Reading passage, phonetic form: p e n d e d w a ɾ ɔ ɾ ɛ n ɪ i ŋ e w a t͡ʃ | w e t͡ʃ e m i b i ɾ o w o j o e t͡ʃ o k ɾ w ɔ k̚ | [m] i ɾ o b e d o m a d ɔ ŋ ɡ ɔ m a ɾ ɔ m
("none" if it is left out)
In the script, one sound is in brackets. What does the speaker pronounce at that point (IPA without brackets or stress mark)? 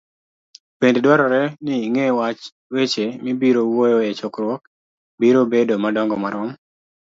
b